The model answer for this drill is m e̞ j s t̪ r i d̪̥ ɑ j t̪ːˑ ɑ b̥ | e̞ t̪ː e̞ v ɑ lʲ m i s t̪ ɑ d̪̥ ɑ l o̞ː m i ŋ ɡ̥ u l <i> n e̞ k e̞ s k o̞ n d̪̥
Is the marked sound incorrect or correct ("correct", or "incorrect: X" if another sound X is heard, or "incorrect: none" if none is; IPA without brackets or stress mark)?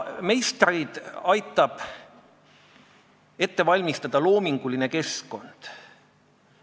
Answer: correct